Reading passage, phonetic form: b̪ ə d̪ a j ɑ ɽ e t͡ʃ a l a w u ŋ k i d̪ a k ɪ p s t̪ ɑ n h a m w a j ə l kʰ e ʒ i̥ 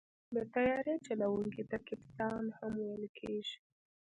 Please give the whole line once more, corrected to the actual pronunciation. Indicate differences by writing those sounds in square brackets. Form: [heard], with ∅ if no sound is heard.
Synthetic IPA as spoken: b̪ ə [t̪] a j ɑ [ɾ] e t͡ʃ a l a w u ŋ k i [t̪] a k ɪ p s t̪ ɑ n h a m w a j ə l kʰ e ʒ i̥